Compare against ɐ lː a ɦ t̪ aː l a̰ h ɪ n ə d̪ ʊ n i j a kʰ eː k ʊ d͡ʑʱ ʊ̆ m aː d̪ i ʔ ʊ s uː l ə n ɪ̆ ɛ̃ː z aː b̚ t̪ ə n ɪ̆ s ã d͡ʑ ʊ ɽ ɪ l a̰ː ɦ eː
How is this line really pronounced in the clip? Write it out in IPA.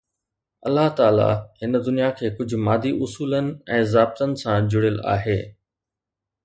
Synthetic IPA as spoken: ɐ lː a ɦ t̪ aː l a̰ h ɪ n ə d̪ ʊ n i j a kʰ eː k ʊ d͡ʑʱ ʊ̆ m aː d̪ i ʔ ʊ s uː l ə n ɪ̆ ɛ̃ː z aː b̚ t̪ ə n ɪ̆ s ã d͡ʑ ʊ ɽ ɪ l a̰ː ɦ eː